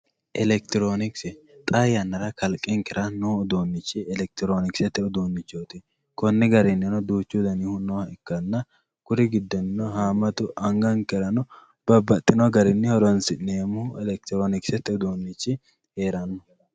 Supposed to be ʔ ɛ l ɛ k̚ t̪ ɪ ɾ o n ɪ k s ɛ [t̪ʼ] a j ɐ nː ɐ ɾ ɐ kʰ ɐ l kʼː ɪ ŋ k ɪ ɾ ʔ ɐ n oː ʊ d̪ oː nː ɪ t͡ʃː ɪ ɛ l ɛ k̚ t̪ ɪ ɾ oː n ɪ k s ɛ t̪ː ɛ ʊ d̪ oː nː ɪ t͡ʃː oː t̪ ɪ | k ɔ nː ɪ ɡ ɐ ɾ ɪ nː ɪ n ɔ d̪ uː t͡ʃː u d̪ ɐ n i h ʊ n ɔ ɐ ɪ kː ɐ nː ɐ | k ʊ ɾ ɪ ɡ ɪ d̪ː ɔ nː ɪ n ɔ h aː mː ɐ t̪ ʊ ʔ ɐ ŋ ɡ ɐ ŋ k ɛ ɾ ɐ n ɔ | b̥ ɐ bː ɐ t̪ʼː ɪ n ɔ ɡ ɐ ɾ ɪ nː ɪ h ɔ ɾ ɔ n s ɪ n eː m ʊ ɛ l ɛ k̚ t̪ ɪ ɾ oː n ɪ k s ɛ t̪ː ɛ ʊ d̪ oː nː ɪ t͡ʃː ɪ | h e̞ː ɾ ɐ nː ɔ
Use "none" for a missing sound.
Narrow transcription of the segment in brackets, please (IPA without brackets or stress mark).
t̪ʼ